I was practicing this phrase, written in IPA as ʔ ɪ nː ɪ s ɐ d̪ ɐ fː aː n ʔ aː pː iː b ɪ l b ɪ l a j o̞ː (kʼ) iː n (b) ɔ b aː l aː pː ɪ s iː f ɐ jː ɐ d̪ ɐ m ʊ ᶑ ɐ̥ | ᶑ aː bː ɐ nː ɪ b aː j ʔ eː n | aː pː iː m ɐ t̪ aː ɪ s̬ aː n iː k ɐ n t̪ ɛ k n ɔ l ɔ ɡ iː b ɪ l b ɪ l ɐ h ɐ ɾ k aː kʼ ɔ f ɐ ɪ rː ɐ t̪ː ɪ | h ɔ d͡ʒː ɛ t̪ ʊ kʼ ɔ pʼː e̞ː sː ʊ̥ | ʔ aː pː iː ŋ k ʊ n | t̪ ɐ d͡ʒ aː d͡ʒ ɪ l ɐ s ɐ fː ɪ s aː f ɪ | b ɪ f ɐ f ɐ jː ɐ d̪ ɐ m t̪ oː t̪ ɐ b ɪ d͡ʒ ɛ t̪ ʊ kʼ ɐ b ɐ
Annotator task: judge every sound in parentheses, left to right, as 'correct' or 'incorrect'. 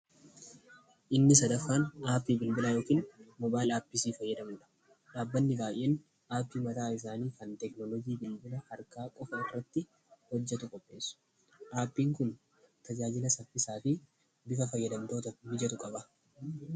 incorrect, incorrect

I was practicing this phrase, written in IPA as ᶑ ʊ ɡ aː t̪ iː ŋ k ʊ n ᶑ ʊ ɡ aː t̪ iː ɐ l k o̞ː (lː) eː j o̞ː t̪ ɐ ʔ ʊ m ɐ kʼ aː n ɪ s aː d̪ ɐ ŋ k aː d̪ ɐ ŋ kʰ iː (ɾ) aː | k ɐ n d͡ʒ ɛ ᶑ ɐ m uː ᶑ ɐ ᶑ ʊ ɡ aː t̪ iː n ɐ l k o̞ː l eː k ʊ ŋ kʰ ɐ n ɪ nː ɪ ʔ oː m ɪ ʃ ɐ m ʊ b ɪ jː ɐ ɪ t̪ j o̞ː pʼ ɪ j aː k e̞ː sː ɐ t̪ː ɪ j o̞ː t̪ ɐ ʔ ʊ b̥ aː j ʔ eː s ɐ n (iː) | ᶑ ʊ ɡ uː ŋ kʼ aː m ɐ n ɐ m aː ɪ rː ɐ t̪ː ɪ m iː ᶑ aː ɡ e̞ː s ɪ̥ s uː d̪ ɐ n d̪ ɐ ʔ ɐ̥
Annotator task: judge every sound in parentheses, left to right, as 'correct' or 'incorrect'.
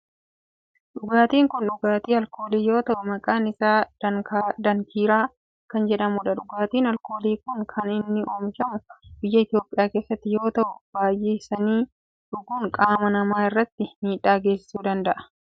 incorrect, correct, correct

